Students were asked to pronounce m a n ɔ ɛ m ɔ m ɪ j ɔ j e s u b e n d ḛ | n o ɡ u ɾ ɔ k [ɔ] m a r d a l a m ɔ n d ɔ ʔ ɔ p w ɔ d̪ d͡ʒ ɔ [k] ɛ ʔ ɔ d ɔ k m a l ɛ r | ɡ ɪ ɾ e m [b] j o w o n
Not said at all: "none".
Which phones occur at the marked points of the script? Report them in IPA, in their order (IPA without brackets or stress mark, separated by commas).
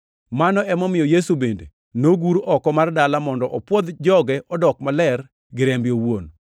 ɔ, ɡ, b